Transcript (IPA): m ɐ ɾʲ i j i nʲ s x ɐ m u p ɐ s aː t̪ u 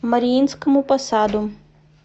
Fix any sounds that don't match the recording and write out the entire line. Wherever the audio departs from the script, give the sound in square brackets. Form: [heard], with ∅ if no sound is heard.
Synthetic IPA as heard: m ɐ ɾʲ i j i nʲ s [k] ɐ m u p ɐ s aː [d̪] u